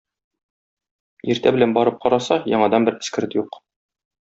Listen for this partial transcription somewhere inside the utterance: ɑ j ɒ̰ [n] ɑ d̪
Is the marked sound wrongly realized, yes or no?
yes